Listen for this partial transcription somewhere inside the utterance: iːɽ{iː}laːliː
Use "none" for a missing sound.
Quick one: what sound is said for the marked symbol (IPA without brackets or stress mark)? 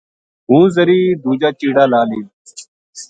aː